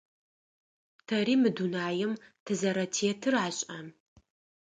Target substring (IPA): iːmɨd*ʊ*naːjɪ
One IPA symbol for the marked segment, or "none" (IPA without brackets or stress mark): u